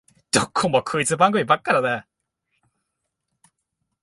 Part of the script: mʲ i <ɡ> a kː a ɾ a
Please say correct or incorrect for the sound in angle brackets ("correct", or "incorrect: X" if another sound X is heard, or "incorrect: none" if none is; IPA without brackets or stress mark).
incorrect: b